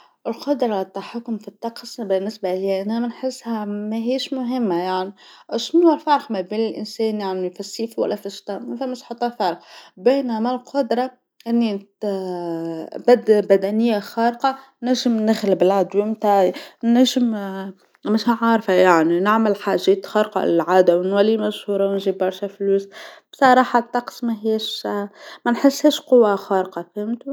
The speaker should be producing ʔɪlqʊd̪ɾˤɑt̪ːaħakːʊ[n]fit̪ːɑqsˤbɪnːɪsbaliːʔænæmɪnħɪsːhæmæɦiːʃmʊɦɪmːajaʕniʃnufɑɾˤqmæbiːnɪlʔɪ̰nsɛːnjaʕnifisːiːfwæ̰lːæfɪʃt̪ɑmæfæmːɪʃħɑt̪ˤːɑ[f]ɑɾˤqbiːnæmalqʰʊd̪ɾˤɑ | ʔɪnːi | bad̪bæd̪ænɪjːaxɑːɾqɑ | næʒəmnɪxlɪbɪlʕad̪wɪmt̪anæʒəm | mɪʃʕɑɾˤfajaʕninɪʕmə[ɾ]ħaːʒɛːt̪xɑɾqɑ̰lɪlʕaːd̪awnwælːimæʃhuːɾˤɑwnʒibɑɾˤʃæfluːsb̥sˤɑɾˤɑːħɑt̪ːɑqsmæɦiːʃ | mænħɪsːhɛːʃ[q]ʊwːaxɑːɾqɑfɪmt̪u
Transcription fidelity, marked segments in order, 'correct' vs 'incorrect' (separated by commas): incorrect, correct, incorrect, correct